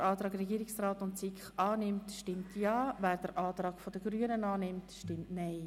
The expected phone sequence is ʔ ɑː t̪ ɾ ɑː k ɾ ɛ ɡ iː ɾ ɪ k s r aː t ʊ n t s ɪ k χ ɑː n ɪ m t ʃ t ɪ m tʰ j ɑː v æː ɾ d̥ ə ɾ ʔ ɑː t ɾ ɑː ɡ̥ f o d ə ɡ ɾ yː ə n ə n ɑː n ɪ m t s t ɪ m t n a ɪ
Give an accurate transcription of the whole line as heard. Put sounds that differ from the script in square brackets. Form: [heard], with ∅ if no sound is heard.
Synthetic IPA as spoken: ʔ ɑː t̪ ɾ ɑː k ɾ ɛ ɡ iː ɾ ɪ k s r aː t ʊ n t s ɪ k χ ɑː n ɪ m t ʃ t ɪ m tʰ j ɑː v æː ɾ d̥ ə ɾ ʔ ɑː t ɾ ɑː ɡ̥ f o d ə ɡ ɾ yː ə n ə n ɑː n ɪ m t [ʃ] t ɪ m t n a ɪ